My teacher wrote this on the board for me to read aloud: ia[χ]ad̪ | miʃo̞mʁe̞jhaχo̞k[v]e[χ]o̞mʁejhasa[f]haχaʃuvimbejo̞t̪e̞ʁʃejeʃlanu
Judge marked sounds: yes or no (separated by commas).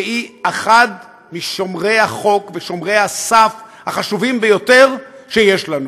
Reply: yes, yes, no, yes